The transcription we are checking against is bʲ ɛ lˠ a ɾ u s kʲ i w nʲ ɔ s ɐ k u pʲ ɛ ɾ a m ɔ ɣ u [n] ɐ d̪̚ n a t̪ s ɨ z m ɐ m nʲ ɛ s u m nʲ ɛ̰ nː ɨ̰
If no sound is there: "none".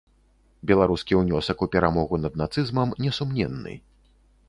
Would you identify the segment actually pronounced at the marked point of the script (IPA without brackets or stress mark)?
n